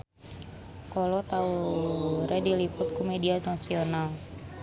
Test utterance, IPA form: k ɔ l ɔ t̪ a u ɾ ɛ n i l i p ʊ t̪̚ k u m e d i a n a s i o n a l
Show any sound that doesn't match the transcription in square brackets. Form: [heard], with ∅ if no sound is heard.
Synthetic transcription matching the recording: k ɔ l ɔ t̪ a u ɾ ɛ [d] i l i p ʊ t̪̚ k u m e d i a n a s i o n a l